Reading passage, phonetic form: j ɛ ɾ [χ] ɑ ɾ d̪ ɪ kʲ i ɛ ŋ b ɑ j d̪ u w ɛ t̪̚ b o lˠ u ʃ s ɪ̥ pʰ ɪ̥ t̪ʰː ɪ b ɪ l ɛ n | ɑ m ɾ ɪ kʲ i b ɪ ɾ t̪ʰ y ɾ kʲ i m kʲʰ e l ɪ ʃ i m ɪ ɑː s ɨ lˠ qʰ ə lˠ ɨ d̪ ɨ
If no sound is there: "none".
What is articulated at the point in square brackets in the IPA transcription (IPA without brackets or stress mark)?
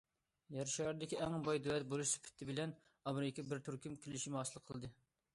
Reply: ʃ